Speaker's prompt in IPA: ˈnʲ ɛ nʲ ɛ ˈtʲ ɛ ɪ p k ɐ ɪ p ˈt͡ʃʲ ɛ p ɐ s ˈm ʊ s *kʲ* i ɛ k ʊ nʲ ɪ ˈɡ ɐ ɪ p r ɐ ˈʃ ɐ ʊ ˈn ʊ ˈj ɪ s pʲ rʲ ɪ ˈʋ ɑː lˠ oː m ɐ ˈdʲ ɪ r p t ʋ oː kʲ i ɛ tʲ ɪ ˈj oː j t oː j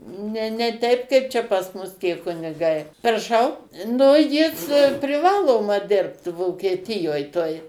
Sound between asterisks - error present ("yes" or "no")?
yes